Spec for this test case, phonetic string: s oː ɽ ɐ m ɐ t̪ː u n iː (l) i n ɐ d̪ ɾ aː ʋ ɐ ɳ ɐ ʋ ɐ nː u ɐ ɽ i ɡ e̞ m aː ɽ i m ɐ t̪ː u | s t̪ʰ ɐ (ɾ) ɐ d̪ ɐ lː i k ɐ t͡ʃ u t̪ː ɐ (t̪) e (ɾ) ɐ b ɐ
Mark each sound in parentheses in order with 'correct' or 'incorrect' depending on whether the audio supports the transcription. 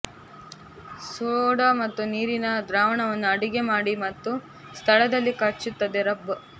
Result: incorrect, incorrect, incorrect, correct

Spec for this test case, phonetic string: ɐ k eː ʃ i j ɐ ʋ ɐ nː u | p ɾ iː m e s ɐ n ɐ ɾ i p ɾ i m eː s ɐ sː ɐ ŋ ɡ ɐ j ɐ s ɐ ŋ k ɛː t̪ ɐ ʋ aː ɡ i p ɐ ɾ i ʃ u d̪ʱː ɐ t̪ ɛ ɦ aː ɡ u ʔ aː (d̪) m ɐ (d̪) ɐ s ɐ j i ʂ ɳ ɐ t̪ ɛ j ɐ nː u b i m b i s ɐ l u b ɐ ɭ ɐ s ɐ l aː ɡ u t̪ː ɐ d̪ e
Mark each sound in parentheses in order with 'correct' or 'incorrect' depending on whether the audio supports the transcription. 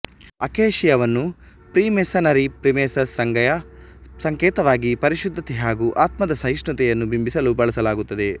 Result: incorrect, correct

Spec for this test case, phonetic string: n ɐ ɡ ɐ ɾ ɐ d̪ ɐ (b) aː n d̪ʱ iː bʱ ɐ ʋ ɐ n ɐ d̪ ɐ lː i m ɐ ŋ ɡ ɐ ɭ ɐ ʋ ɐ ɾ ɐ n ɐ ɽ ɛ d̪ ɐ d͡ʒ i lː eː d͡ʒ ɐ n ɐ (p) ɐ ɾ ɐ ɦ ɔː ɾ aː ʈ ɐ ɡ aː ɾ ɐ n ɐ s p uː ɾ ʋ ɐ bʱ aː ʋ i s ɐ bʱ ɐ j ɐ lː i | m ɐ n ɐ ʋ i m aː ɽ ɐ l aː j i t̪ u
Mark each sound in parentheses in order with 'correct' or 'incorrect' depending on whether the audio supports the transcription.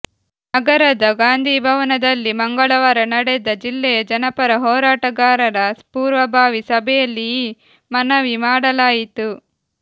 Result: incorrect, correct

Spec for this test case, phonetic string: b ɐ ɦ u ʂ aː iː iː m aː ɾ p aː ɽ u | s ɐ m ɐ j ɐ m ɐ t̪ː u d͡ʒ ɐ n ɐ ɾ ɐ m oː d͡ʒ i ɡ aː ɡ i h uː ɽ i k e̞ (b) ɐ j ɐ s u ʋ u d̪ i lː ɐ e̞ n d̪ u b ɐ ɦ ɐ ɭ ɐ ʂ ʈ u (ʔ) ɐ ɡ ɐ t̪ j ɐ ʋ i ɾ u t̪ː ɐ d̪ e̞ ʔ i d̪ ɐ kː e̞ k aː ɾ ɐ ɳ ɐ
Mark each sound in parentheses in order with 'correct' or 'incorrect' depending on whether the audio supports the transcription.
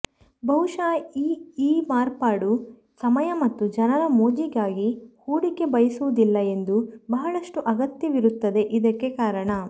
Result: correct, correct

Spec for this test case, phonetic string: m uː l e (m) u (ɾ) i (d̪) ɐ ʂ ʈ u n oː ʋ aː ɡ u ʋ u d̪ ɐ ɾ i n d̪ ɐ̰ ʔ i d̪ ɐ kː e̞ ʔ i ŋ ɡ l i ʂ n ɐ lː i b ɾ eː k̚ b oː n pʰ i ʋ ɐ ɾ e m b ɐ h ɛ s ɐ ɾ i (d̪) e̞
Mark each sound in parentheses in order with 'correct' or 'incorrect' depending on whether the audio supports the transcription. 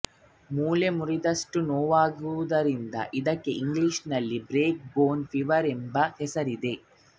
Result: correct, correct, correct, correct

